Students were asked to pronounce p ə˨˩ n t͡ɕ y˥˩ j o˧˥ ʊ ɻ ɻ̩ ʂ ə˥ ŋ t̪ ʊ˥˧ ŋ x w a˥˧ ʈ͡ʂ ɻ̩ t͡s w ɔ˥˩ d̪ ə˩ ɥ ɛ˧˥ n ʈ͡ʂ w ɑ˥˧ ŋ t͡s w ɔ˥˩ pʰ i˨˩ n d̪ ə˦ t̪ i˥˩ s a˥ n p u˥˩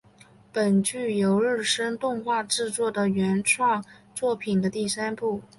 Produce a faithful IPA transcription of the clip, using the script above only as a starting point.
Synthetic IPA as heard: p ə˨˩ n t͡ɕ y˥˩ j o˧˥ ʊ ɻ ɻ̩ ʂ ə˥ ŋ t̪ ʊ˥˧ ŋ x w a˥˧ ʈ͡ʂ ɻ̩ t͡s w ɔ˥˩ d̪ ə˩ ɥ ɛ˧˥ n ʈ͡ʂʰ w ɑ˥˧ ŋ t͡s w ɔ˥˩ pʰ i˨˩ n d̪ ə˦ t̪ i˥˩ s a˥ n p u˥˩